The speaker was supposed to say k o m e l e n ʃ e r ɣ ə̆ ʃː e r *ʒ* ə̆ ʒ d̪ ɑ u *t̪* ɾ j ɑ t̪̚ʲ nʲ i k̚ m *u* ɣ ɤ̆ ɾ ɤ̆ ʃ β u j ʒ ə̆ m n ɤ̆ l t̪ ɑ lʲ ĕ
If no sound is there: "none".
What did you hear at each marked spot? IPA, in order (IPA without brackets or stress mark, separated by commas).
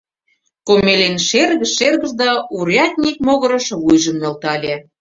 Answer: ɣ, none, o